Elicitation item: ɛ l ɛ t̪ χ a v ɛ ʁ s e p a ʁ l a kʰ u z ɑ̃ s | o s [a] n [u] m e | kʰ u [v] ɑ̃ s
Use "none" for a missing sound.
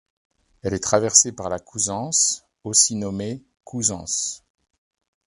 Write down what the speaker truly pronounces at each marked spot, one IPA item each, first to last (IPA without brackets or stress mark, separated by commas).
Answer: i, ɔ, z